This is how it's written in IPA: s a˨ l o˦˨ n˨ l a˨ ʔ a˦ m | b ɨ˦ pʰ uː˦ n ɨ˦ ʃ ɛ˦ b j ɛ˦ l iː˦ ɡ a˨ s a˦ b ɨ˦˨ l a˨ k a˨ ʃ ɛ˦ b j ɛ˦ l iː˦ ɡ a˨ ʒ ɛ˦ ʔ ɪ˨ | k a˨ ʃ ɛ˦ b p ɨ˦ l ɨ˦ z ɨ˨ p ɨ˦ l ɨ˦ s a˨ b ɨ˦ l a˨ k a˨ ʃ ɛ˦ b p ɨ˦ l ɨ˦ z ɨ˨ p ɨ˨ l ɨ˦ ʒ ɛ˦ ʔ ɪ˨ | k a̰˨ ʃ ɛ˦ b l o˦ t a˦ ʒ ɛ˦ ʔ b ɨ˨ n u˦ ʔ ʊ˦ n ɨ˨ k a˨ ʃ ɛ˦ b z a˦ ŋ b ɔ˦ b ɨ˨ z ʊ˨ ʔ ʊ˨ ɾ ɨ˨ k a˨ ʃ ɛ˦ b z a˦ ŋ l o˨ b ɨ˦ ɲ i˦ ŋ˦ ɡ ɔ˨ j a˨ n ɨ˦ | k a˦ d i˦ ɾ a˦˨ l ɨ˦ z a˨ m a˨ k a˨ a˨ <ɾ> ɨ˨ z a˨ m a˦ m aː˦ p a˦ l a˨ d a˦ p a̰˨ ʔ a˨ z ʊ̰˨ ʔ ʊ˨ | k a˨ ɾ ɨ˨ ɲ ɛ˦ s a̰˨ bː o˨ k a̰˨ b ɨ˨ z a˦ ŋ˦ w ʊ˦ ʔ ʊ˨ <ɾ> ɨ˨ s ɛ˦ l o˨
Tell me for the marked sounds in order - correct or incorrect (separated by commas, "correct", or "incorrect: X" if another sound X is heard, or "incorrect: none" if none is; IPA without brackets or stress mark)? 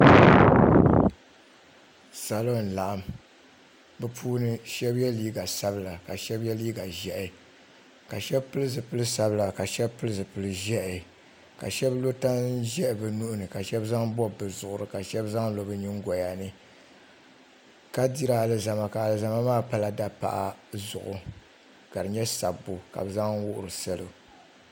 incorrect: l, correct